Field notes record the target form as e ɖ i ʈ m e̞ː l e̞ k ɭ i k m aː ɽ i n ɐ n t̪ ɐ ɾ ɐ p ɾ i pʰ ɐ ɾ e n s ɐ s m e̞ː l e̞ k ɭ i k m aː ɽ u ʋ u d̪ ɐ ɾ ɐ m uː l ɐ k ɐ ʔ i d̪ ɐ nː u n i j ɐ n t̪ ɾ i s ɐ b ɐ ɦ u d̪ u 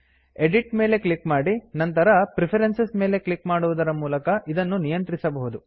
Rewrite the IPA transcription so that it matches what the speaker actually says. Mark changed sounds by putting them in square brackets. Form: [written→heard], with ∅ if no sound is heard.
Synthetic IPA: e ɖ i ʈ m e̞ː l e̞ k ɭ i k m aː ɽ i n ɐ n t̪ ɐ ɾ ɐ p ɾ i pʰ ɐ ɾ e n s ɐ s m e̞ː l e̞ k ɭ i k m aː ɽ u ʋ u d̪ ɐ ɾ ɐ m uː l ɐ k ɐ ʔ i d̪ ɐ nː u n i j ɐ n t̪ ɾ i s ɐ b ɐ ɦ u d̪ u